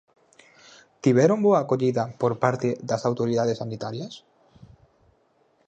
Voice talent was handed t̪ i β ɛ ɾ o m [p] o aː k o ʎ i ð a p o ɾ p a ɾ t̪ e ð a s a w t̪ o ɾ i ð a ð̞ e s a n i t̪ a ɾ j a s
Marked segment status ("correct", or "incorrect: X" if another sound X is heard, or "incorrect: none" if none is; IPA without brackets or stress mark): incorrect: b